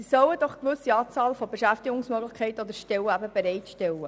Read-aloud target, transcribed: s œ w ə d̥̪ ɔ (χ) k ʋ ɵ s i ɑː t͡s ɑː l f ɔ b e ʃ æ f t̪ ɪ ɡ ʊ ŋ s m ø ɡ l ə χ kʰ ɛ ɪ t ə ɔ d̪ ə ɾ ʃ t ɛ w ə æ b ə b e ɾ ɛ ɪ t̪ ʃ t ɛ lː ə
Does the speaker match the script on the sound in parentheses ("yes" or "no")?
yes